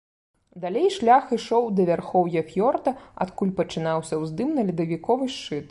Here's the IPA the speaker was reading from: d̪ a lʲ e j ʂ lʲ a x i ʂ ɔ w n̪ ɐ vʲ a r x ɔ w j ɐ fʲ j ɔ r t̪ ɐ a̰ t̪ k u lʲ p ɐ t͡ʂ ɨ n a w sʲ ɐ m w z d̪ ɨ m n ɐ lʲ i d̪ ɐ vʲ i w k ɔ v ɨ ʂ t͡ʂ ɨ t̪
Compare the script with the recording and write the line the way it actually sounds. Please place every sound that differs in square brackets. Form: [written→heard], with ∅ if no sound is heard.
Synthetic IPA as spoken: d̪ a lʲ e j ʂ lʲ a x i ʂ ɔ w [n̪→d̪] ɐ vʲ a r x ɔ w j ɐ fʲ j ɔ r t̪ ɐ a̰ t̪ k u lʲ p ɐ t͡ʂ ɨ n a w sʲ ɐ [m→∅] w z d̪ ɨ m n ɐ lʲ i d̪ ɐ vʲ i [w→∅] k ɔ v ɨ ʂ t͡ʂ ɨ t̪